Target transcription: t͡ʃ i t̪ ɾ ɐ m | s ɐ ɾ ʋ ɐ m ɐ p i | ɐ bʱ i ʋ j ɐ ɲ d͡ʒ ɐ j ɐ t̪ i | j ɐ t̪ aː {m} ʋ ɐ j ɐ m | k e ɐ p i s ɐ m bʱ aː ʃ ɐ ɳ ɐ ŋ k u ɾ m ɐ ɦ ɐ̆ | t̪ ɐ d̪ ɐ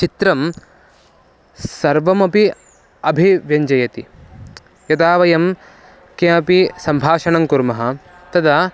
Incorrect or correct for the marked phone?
incorrect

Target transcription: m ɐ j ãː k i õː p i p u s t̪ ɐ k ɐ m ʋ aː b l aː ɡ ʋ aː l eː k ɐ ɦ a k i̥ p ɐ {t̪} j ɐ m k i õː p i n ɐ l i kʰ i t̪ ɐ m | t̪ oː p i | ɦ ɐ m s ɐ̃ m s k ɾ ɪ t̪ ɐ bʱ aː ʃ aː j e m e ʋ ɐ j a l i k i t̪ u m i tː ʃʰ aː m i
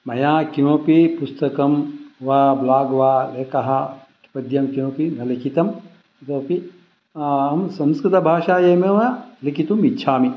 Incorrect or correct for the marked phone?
incorrect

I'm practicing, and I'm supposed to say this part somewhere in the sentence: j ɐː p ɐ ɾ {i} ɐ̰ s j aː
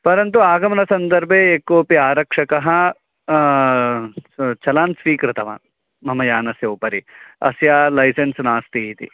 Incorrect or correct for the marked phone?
correct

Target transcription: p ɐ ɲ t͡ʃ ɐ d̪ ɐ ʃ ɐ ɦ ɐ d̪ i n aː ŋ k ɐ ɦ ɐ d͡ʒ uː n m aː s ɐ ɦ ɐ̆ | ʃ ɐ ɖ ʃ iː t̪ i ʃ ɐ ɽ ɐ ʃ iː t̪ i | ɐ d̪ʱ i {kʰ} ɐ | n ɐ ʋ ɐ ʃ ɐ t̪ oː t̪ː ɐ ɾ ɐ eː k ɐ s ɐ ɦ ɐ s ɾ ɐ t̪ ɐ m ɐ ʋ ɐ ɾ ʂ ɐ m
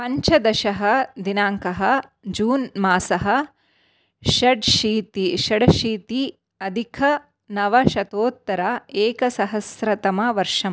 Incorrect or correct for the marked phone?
correct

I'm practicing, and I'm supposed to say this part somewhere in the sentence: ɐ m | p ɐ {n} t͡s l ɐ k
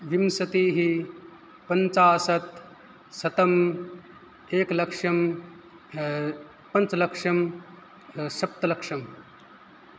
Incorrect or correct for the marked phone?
correct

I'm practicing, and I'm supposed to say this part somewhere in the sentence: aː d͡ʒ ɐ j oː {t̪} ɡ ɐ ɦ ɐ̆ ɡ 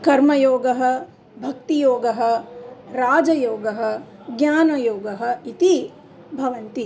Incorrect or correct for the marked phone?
incorrect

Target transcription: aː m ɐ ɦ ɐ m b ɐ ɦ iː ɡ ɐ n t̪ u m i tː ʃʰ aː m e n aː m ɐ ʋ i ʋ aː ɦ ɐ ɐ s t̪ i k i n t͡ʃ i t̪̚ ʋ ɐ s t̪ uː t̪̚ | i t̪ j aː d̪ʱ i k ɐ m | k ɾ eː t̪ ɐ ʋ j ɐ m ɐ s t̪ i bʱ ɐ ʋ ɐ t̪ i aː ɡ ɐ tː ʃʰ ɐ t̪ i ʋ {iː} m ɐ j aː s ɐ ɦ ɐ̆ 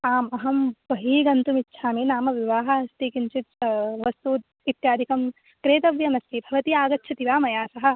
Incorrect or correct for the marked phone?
incorrect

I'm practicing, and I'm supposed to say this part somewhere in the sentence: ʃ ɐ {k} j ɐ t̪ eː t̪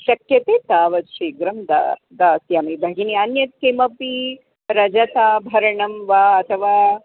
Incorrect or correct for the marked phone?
correct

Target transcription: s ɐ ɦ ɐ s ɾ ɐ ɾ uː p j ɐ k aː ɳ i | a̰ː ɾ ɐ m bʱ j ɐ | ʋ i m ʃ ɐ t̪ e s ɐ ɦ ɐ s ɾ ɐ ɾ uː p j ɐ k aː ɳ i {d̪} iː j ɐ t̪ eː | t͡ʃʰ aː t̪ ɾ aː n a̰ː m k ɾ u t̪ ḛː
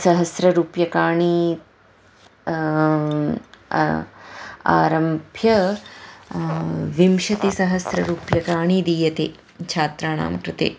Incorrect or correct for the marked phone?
correct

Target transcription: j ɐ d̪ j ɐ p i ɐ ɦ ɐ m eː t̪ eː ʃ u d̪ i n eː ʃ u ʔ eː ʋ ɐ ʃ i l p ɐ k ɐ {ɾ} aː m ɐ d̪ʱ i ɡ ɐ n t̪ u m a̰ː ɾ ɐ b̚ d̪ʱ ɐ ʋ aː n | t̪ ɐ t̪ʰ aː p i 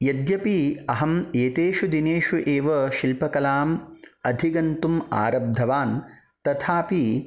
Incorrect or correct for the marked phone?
incorrect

